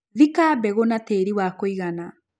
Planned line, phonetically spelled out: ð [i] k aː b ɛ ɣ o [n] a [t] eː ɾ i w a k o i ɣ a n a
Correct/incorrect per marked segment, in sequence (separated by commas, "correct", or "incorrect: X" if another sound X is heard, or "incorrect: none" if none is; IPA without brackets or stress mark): correct, correct, correct